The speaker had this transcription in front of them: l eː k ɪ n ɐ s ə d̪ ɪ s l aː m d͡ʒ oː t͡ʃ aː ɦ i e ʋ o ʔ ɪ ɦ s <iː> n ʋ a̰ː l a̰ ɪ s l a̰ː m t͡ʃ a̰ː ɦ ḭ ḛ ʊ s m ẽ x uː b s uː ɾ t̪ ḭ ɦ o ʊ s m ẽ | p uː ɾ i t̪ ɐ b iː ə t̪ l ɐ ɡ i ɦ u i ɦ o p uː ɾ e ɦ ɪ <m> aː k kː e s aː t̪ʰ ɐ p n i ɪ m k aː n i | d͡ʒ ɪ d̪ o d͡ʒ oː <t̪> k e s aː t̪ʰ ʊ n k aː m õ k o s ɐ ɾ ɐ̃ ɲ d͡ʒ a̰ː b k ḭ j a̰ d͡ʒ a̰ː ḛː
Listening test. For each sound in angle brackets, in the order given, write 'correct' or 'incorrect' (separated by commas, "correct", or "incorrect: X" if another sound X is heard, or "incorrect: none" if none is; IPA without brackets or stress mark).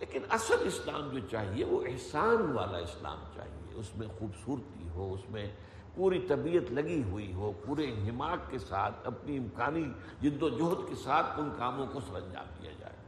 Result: incorrect: aː, correct, correct